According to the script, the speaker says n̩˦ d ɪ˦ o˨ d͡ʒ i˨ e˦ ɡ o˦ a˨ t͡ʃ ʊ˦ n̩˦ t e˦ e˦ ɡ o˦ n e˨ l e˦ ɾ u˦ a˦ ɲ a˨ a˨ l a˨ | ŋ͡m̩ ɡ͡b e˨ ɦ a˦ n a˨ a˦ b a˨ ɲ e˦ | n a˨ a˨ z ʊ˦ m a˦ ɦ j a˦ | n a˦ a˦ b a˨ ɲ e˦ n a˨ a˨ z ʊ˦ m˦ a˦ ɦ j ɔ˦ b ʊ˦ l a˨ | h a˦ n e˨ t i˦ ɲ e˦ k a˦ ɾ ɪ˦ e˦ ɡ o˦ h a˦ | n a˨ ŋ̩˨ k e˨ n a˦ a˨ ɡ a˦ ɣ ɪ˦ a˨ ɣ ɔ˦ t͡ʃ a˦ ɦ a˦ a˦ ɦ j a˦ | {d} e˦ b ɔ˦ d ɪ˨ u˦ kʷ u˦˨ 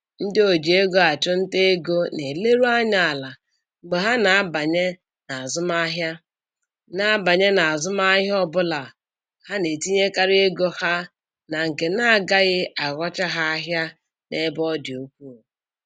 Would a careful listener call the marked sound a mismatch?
yes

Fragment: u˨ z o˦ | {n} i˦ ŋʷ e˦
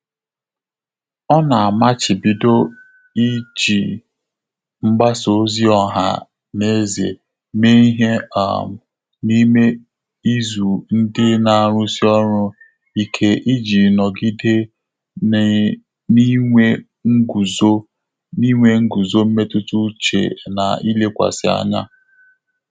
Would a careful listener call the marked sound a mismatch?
no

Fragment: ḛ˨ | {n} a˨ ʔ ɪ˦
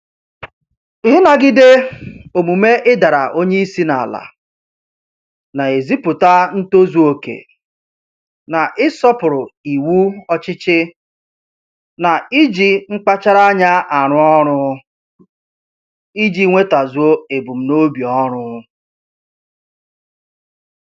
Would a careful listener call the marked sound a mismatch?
no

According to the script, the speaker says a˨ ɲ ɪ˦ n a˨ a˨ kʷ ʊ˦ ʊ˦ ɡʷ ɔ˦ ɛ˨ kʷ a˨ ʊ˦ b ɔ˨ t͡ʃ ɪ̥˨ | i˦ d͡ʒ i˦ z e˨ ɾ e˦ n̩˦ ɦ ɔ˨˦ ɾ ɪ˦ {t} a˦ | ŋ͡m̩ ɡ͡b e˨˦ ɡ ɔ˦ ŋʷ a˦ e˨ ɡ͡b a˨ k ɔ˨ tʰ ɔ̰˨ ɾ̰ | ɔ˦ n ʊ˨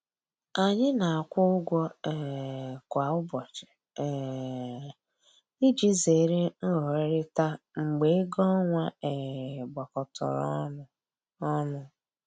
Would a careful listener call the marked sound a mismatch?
no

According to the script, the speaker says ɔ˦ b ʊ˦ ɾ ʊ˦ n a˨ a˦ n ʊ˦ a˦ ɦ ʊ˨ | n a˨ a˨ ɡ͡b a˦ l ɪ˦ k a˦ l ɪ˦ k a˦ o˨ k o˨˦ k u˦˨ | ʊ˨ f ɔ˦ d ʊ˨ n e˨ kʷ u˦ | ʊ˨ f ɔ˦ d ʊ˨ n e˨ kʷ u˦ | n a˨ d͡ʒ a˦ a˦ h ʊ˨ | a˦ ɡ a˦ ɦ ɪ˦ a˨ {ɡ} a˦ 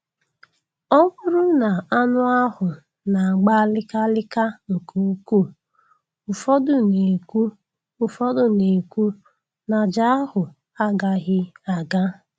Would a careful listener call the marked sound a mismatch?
no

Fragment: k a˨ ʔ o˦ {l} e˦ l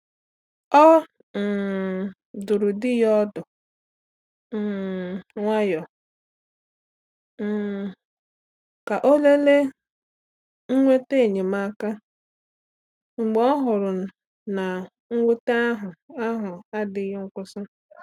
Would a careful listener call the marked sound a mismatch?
no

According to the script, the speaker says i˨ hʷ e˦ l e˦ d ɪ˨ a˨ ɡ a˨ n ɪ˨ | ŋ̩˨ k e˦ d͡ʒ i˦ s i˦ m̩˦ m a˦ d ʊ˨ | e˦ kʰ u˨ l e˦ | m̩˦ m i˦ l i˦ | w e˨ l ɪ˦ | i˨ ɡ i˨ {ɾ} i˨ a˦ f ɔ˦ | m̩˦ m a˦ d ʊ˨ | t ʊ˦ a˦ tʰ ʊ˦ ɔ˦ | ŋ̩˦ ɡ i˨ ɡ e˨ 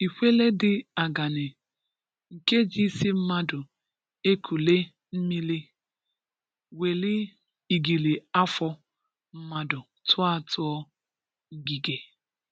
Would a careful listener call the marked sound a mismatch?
yes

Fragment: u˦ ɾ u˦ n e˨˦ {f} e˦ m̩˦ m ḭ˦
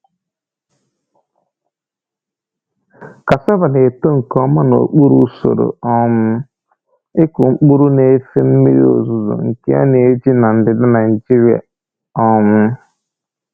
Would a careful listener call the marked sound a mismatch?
no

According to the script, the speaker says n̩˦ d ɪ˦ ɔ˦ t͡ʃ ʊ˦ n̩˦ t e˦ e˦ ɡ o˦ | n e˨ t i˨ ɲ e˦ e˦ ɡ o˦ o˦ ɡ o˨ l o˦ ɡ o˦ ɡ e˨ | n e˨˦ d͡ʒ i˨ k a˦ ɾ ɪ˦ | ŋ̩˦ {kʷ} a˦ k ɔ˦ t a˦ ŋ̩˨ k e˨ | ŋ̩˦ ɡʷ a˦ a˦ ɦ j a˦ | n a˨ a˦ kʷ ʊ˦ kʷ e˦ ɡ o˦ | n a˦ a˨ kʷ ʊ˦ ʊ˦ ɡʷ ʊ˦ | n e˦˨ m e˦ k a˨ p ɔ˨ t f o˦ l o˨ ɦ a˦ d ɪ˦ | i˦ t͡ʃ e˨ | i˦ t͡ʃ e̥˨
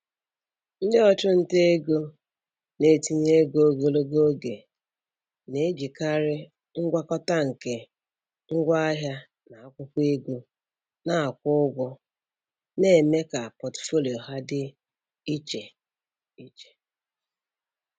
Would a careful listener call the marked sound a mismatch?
yes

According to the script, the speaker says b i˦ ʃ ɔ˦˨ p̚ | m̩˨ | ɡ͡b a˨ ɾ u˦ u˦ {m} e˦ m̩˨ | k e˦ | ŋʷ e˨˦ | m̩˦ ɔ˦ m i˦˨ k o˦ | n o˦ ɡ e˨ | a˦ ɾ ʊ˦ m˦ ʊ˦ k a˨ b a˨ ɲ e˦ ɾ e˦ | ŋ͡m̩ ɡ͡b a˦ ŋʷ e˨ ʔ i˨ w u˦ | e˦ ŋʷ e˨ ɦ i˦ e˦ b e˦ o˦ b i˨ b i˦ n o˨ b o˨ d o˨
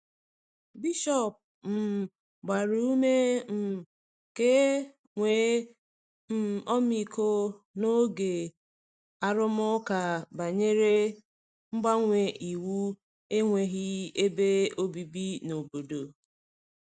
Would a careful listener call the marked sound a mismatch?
no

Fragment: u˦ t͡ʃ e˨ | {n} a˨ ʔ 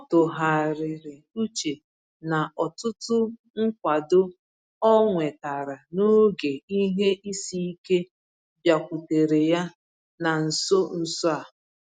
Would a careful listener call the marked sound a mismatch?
no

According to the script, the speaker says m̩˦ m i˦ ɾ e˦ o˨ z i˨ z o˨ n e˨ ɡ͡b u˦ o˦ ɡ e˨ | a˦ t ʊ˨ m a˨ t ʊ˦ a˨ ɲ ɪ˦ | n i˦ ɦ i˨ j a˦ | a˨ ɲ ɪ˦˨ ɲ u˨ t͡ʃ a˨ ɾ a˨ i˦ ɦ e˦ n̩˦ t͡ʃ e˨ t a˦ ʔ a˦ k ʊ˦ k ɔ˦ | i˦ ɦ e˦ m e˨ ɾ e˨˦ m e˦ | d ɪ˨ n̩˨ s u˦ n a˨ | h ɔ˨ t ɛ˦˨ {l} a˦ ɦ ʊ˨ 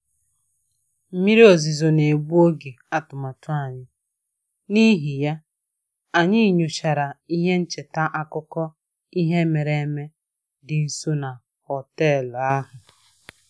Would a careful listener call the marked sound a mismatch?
no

